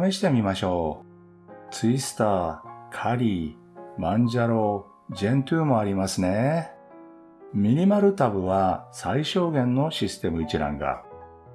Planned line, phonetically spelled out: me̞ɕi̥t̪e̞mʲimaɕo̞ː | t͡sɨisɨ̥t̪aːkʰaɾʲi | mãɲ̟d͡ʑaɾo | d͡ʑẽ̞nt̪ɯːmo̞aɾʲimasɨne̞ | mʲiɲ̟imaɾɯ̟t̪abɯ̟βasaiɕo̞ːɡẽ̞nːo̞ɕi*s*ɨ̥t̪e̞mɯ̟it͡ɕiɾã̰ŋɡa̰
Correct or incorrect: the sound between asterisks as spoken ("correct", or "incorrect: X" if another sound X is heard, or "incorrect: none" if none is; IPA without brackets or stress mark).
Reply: correct